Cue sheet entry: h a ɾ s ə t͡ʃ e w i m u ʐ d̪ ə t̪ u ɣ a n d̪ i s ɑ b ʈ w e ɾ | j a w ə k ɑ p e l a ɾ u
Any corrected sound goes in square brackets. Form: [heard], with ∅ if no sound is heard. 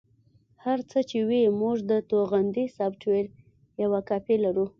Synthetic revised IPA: h a ɾ [t͡s] ə t͡ʃ e w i m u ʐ d̪ ə t̪ [o] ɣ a n d̪ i s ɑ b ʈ w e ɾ | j a w [a] k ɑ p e l a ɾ u